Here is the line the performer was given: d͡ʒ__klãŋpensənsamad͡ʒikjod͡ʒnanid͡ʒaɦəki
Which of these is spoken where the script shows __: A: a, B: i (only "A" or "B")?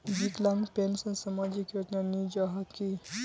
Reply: B